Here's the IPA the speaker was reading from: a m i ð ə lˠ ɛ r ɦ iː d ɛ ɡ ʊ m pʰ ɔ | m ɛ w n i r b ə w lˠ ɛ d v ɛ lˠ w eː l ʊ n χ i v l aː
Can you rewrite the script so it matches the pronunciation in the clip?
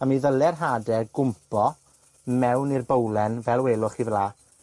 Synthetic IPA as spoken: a m i ð ə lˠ ɛ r ɦ aː d ɛ ɡ ʊ m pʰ ɔ | m ɛ w n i r b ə w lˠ ɛ n v ɛ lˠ w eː l ʊ χ i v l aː